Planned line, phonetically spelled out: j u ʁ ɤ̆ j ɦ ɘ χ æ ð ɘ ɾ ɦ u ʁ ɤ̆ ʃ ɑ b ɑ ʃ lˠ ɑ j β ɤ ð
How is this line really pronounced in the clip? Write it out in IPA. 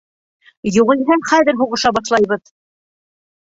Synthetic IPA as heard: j u ʁ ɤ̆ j ɦ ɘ χ æ ð ɘ ɾ ɦ u ʁ ɤ̆ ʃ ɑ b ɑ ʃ lˠ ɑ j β ɤ ð